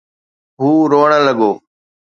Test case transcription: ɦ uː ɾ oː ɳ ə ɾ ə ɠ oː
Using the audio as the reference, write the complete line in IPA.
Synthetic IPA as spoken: ɦ uː ɾ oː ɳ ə l ə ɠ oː

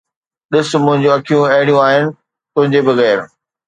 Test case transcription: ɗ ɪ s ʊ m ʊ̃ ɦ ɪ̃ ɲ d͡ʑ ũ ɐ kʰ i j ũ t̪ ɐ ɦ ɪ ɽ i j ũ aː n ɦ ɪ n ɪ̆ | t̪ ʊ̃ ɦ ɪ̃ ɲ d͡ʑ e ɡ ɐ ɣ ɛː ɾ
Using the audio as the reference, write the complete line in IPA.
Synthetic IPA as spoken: ɗ ɪ s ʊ m ʊ̃ ɦ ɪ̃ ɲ d͡ʑ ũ ɐ kʰ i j ũ ɐ ɦ ɪ ɽ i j ũ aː ɦ ɪ n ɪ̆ | t̪ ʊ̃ ɦ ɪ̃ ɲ d͡ʑ e b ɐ ɣ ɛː ɾ

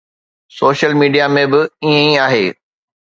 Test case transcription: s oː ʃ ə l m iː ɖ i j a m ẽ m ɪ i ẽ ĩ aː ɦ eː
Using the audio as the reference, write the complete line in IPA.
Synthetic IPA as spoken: s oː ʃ ə l m iː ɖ i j a m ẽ b ɪ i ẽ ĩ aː ɦ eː

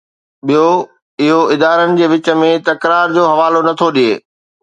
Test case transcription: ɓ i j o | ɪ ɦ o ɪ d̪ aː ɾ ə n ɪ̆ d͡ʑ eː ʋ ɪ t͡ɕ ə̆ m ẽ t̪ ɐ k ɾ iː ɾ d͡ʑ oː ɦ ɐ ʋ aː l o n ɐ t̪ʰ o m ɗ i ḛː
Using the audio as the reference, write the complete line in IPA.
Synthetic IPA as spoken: ɓ i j o | ɪ ɦ o ɪ d̪ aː ɾ ə n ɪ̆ d͡ʑ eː ʋ ɪ t͡ɕ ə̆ m ẽ t̪ ɐ k ɾ aː ɾ d͡ʑ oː ɦ ɐ ʋ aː l o n ɐ t̪ʰ o ɗ i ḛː

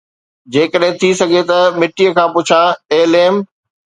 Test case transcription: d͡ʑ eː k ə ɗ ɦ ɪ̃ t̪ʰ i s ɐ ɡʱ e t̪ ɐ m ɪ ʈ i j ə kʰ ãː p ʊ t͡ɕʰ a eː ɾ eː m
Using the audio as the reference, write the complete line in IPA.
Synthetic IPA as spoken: d͡ʑ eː k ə ɗ ɦ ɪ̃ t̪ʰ i s ɐ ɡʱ e t̪ ɐ m ɪ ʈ i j ə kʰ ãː p ʊ t͡ɕʰ a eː l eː m

